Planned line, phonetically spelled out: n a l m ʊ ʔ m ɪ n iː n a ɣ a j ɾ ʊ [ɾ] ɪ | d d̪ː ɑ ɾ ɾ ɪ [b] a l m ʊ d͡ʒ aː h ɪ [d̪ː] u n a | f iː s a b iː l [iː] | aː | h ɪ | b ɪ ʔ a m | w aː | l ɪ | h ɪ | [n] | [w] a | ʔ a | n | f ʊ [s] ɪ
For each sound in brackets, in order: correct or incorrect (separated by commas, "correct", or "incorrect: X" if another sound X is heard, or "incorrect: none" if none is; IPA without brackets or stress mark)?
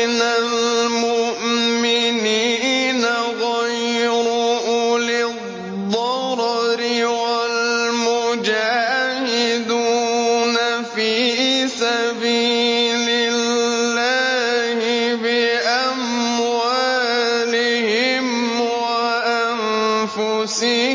incorrect: l, incorrect: w, incorrect: d̪, incorrect: ɪː, incorrect: m, correct, correct